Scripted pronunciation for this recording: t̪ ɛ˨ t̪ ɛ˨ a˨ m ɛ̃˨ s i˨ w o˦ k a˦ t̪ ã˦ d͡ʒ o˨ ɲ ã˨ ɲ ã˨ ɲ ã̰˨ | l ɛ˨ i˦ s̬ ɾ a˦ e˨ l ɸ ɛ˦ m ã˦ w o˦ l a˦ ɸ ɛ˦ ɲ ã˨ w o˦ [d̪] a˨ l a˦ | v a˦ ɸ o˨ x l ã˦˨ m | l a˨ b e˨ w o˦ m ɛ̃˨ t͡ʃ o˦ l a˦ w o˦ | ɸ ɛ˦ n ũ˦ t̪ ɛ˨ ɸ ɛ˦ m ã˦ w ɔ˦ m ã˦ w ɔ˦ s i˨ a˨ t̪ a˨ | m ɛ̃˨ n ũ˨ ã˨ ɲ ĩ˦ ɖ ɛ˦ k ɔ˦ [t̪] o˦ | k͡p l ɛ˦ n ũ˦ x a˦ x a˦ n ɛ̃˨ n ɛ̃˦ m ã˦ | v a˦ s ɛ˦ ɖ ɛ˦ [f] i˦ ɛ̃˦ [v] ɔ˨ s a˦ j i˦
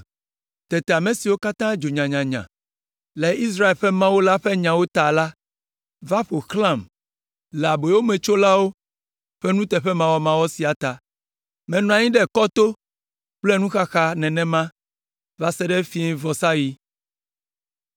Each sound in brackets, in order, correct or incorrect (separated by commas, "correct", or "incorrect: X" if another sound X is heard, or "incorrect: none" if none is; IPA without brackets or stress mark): incorrect: t̪, correct, correct, correct